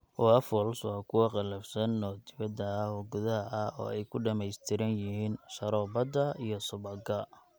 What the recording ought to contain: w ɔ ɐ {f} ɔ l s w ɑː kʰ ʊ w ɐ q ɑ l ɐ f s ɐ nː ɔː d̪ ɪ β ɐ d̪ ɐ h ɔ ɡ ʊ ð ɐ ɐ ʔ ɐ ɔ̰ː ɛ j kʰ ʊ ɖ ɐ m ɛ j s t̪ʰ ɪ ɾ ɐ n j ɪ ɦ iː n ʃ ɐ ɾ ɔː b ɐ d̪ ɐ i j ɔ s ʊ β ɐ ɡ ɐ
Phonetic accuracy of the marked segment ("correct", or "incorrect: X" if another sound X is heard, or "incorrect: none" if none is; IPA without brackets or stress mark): correct